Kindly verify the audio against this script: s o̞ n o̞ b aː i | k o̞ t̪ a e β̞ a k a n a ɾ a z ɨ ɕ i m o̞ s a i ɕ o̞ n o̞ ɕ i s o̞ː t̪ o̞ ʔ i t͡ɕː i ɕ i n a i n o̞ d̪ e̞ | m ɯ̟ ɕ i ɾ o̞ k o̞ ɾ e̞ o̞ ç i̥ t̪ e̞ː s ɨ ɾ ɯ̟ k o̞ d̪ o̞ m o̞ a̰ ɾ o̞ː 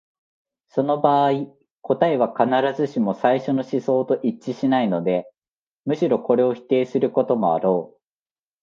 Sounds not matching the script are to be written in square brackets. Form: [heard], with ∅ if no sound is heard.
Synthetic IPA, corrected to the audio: s o̞ n o̞ b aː i | k o̞ t̪ a e β̞ a k a n a ɾ a z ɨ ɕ i m o̞ s a i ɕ o̞ n o̞ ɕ i s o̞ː t̪ o̞ ʔ i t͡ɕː i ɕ i n a i n o̞ d̪ e̞ | m ɯ̟ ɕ i ɾ o̞ k o̞ ɾ e̞ o̞ ç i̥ t̪ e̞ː s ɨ ɾ ɯ̟ k o̞ [t̪] o̞ m o̞ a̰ ɾ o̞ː